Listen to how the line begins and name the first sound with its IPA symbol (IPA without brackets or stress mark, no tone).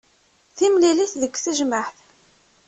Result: θ